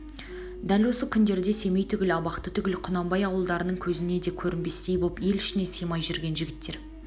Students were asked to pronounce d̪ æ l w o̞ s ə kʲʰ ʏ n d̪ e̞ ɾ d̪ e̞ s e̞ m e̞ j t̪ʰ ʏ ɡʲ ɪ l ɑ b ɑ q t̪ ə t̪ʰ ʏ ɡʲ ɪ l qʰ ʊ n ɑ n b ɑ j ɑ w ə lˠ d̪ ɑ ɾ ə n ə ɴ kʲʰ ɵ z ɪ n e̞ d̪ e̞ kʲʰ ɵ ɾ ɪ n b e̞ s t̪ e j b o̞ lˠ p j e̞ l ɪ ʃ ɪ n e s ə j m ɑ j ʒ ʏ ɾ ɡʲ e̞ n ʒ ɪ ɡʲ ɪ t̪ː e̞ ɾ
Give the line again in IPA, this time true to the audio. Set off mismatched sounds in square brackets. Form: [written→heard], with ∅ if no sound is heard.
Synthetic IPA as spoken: d̪ æ l w o̞ s ə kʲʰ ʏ n d̪ e̞ ɾ d̪ e̞ s e̞ m e̞ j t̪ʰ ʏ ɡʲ ɪ l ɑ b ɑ q t̪ ə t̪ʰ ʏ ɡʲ ɪ l qʰ ʊ n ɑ [n→m] b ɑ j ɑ w ə lˠ d̪ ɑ ɾ ə n ə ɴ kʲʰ ɵ z ɪ n e̞ d̪ e̞ kʲʰ ɵ ɾ ɪ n b e̞ s t̪ e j b o̞ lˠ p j e̞ l ɪ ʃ ɪ n e s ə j m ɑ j ʒ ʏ ɾ ɡʲ e̞ n ʒ ɪ ɡʲ ɪ t̪ː e̞ ɾ